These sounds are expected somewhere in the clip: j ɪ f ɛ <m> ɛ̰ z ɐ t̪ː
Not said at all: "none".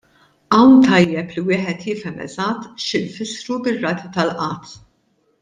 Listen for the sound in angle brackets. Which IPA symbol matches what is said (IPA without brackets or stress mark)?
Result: m